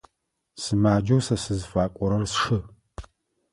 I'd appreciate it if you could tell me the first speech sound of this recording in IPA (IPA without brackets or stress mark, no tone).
s